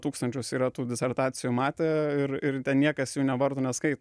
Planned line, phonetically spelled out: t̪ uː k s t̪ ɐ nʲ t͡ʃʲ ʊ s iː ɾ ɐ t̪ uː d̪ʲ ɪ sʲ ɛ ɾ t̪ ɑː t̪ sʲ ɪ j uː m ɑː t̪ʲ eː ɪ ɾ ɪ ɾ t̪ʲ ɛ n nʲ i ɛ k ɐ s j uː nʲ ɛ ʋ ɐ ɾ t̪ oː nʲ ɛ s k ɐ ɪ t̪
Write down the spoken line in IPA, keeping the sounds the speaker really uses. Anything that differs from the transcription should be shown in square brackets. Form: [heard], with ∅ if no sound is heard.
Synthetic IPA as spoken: t̪ uː k s t̪ ɐ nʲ t͡ʃʲ ʊ s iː ɾ ɐ t̪ uː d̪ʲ ɪ sʲ ɛ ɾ t̪ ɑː t̪ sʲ ɪ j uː m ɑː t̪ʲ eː ɪ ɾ ɪ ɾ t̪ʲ ɛ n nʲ i ɛ k ɐ s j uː nʲ ɛ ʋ ɐ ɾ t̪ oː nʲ ɛ s k ɐ ɪ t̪